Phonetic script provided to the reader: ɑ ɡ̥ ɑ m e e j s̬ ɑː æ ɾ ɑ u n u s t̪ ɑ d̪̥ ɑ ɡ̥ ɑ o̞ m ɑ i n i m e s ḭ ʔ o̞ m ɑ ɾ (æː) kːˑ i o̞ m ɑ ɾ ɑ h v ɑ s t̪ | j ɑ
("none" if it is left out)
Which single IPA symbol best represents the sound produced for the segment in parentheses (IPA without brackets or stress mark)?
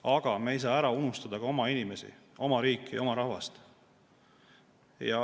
iː